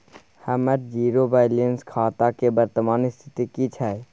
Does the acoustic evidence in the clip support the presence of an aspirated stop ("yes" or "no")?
yes